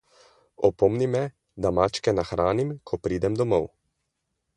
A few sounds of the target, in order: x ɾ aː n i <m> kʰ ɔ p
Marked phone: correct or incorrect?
correct